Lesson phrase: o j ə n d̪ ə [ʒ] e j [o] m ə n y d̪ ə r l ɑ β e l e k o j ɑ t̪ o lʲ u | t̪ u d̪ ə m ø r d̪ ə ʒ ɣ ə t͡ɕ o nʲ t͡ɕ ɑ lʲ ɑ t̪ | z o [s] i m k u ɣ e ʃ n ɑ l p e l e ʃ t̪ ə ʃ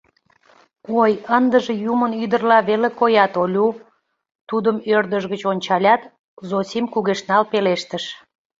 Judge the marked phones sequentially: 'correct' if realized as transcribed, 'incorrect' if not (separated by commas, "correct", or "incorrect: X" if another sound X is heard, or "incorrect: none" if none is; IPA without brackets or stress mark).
correct, incorrect: u, correct